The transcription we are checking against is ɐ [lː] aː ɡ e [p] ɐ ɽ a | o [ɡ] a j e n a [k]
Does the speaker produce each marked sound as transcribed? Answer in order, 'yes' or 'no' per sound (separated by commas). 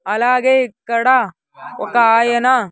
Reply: no, no, no, no